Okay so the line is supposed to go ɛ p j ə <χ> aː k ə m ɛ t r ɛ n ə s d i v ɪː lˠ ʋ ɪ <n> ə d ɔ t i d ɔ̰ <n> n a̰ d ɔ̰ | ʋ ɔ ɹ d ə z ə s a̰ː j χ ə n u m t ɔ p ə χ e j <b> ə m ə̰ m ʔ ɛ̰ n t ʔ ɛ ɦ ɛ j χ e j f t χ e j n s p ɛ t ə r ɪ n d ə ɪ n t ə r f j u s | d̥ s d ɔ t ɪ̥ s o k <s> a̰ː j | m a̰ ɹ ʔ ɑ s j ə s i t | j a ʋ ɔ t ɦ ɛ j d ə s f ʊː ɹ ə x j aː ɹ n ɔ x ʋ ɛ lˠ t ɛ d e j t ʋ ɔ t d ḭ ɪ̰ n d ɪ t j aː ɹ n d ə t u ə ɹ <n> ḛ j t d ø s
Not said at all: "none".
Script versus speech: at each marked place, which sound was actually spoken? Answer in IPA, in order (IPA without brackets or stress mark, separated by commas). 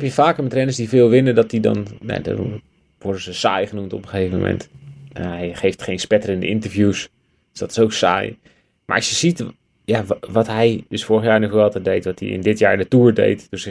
f, n, n, v, s, d